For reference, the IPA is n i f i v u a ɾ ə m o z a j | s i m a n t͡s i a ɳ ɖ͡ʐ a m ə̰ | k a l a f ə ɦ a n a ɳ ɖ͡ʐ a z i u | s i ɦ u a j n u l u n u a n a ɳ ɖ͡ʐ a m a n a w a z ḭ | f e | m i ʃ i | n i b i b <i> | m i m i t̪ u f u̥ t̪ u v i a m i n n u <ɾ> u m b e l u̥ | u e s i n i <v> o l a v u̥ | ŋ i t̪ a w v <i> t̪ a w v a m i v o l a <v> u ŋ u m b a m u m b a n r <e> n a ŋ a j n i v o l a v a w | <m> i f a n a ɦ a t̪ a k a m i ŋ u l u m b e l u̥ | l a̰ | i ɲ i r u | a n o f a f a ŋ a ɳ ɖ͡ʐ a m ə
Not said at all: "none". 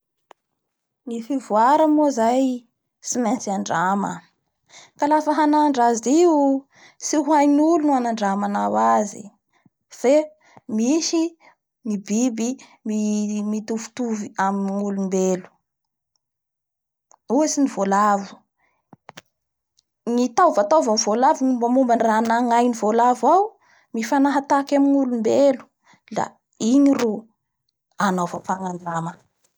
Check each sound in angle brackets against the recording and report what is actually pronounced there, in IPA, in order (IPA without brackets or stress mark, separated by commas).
i, l, v, a, v, a, m